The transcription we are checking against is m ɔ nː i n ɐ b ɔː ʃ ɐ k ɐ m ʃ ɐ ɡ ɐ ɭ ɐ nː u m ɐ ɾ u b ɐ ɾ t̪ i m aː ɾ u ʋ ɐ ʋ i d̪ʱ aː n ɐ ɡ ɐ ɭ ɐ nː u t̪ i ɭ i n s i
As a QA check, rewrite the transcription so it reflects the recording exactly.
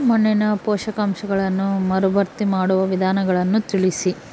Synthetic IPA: m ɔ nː i n ɐ p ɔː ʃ ɐ k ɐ m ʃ ɐ ɡ ɐ ɭ ɐ nː u m ɐ ɾ u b ɐ ɾ t̪ i m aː ɽ u ʋ ɐ ʋ i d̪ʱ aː n ɐ ɡ ɐ ɭ ɐ nː u t̪ i ɭ i s i